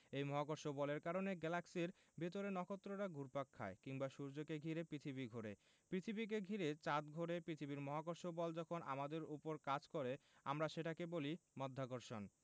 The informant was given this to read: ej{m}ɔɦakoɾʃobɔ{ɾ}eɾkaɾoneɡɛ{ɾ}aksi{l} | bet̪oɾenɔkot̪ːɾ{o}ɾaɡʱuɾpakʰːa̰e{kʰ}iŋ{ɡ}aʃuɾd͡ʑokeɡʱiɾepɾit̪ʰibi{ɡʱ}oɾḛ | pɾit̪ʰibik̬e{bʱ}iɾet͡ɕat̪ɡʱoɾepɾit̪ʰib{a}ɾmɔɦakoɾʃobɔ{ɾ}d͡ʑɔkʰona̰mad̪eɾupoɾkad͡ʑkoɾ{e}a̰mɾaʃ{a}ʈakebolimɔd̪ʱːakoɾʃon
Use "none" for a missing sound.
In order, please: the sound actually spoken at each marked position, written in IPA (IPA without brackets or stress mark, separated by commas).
m, l, l, ɾ, o, k, b, ɡʱ, ɡʱ, i, l, e, e